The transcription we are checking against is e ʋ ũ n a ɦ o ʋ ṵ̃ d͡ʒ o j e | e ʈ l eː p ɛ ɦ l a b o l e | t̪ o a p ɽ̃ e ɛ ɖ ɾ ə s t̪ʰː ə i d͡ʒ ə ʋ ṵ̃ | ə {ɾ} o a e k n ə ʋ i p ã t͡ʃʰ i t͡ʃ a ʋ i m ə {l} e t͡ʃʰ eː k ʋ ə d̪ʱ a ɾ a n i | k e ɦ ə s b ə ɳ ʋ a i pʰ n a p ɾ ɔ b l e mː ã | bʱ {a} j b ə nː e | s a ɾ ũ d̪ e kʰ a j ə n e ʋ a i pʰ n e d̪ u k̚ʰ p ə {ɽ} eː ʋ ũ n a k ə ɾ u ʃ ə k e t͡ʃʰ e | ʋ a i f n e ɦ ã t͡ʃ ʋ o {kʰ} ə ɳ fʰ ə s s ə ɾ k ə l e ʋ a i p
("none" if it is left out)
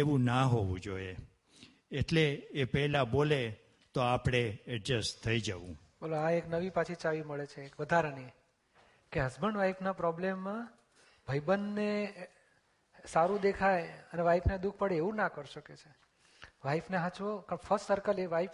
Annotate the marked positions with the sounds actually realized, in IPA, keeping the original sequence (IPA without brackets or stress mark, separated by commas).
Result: l, ɭ, ə, ɽ, k